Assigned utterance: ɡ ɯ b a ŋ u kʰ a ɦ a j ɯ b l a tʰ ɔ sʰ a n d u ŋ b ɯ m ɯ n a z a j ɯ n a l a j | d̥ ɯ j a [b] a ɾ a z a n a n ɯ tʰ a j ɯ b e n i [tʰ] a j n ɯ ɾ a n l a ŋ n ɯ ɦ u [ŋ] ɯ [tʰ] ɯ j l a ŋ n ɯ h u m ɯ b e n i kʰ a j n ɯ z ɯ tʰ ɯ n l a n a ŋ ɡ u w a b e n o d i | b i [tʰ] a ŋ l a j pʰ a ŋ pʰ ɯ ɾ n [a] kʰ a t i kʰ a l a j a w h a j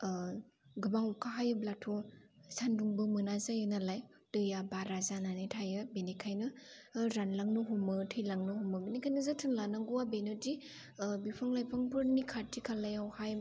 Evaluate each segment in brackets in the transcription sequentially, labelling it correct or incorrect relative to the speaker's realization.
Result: correct, incorrect: kʰ, incorrect: m, correct, incorrect: pʰ, incorrect: i

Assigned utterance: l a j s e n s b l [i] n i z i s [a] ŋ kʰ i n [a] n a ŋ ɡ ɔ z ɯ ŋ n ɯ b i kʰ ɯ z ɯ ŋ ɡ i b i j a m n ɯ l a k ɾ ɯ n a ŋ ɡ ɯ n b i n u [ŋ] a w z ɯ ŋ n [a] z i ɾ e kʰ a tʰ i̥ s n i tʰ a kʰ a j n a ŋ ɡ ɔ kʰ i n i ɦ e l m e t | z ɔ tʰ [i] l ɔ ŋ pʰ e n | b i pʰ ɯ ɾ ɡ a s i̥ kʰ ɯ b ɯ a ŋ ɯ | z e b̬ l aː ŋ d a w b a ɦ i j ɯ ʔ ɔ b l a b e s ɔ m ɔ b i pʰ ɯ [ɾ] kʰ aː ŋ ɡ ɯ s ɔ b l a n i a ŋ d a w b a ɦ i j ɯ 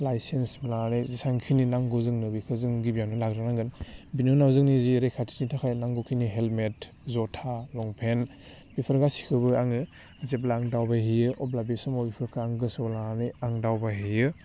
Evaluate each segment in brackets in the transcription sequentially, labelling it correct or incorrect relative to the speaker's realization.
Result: incorrect: a, correct, incorrect: i, incorrect: n, incorrect: i, incorrect: a, correct

